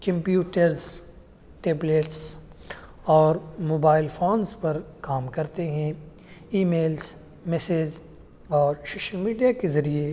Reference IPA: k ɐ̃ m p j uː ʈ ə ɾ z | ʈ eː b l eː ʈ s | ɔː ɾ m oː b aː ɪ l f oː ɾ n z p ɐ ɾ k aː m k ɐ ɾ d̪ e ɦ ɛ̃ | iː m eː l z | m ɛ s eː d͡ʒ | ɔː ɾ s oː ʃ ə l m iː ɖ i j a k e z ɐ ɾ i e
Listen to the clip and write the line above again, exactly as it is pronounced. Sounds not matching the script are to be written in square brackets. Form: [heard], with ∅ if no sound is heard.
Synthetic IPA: k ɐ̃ m p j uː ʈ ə ɾ z | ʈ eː b l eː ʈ s | ɔː ɾ m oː b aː ɪ l f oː [∅] n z p ɐ ɾ k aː m k ɐ ɾ [t̪] e ɦ ɛ̃ | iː m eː l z | m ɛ s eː d͡ʒ | ɔː ɾ s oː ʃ ə l m iː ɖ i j a k e z ɐ ɾ i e

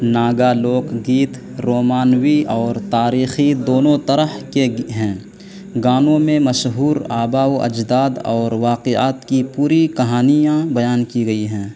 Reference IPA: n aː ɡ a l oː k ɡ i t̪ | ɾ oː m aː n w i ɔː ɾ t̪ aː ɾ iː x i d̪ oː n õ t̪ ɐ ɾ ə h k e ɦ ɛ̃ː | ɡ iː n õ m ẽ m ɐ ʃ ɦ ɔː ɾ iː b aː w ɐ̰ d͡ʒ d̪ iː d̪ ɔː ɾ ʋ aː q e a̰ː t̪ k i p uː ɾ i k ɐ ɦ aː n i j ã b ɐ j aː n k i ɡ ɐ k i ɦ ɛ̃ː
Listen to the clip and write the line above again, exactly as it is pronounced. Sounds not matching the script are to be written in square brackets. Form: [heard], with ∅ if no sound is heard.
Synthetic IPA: n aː ɡ a l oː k ɡ [iː] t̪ | ɾ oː m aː n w i ɔː ɾ t̪ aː ɾ iː x i d̪ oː n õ t̪ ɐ ɾ ə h k e ɦ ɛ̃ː | ɡ [aː] n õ m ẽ m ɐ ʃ ɦ [uː] ɾ [aː] b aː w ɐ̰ d͡ʒ d̪ [aː] d̪ ɔː ɾ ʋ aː q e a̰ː t̪ k i p uː ɾ i k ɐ ɦ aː n i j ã b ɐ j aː n k i ɡ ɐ [∅] i ɦ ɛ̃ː

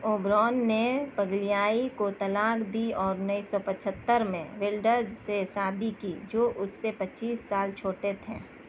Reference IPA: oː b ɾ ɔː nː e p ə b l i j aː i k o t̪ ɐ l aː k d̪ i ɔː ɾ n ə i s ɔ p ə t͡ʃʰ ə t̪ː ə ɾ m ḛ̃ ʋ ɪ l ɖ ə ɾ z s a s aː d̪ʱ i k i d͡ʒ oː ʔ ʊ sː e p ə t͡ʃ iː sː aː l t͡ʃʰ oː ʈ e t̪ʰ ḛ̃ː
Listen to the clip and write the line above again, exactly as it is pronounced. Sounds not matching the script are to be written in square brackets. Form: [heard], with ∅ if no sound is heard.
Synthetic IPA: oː b ɾ ɔː nː e p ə [ɡ] l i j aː i k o t̪ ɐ l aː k d̪ i ɔː ɾ n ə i s ɔ p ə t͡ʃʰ ə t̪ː ə ɾ m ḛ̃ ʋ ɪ l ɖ ə ɾ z s [e] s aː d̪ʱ i k i d͡ʒ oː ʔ ʊ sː e p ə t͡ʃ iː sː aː l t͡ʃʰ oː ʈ e t̪ʰ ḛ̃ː

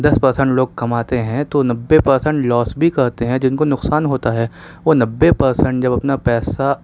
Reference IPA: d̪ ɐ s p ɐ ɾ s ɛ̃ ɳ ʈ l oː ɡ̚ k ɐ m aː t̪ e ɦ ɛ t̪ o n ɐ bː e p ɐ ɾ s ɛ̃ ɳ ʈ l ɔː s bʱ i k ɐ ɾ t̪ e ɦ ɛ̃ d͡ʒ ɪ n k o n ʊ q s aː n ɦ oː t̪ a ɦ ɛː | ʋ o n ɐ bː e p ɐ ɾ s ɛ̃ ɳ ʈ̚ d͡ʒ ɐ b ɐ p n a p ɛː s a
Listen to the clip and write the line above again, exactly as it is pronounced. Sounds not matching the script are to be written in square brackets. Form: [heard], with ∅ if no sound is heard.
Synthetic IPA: d̪ ɐ s p ɐ ɾ s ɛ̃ ɳ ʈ l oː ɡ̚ k ɐ m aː t̪ e ɦ [ɛ̃] t̪ o n ɐ bː e p ɐ ɾ s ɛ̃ ɳ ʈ l ɔː s bʱ i k ɐ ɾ t̪ e ɦ ɛ̃ d͡ʒ ɪ n k o n ʊ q s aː n ɦ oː t̪ a ɦ ɛː | ʋ o n ɐ bː e p ɐ ɾ s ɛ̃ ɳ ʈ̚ d͡ʒ ɐ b ɐ p n a p ɛː s a

